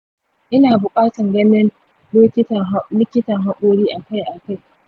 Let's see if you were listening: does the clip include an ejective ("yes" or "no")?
yes